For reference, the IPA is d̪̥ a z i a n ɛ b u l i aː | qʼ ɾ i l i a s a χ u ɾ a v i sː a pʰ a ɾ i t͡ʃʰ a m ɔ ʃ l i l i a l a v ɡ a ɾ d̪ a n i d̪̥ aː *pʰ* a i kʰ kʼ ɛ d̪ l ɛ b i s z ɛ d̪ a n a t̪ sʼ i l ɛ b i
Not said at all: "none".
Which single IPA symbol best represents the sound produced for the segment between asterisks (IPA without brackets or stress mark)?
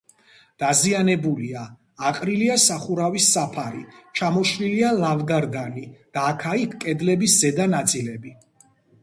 kʰ